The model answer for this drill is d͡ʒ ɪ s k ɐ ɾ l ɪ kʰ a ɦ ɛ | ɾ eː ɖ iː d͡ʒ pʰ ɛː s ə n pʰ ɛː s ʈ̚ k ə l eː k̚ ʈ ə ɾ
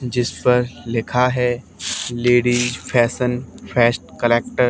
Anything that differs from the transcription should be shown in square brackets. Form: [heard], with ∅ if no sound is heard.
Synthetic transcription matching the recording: d͡ʒ ɪ s [p] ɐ ɾ l ɪ kʰ a ɦ ɛ | [l] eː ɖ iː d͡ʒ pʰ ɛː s ə n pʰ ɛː s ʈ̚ k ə l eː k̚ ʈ ə ɾ